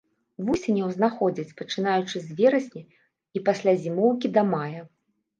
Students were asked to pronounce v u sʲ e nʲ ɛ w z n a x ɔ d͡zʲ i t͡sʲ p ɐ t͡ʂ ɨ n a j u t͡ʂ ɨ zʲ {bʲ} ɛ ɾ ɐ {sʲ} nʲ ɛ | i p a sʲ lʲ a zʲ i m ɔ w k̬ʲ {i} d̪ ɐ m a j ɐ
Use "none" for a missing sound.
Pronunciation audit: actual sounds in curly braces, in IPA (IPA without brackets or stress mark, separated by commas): vʲ, sʲ, i